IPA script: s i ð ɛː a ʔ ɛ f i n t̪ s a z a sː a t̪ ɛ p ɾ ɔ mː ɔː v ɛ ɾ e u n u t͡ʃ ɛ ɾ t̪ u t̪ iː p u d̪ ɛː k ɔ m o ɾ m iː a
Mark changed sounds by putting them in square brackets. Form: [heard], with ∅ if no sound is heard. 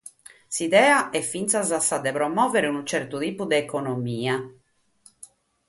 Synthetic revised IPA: s i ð ɛː a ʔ ɛ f i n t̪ s a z a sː a [d̪] ɛ p ɾ ɔ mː ɔː v ɛ ɾ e u n u t͡ʃ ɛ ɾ t̪ u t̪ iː p u d̪ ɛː k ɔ [n] o [∅] m iː a